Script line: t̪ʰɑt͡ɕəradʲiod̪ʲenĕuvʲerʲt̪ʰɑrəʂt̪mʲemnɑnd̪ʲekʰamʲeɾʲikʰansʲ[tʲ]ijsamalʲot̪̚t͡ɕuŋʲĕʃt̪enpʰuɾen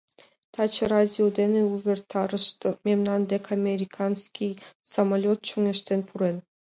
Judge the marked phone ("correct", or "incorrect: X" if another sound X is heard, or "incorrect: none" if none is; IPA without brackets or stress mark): incorrect: kʲ